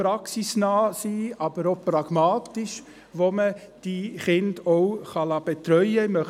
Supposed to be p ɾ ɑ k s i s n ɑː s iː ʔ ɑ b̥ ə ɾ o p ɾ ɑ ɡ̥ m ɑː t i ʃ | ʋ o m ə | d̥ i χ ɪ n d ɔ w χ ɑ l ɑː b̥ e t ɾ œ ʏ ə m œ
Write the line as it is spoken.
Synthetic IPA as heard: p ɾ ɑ k s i s n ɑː s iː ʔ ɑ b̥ ə ɾ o p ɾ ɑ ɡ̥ m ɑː t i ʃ | ʋ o m ə | d̥ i χ ɪ n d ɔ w χ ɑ l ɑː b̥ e t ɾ œ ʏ ə m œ